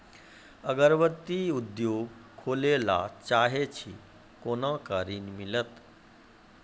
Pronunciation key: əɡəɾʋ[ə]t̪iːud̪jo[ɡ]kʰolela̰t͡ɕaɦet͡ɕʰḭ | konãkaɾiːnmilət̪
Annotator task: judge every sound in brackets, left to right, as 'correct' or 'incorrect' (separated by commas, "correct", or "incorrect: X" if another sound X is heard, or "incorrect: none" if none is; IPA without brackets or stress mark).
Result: correct, correct